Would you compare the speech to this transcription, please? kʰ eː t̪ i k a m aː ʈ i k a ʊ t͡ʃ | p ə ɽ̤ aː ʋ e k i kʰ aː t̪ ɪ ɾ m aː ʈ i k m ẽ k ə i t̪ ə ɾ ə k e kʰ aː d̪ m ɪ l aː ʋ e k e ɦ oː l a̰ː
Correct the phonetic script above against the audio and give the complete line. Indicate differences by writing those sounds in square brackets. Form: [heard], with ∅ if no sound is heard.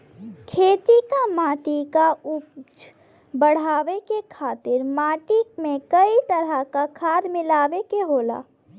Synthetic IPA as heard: kʰ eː t̪ i k a m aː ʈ i k a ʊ t͡ʃ | [b] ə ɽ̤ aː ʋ e k [e] kʰ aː t̪ ɪ ɾ m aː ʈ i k m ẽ k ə i t̪ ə ɾ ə k [a] kʰ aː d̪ m ɪ l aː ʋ e k e ɦ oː l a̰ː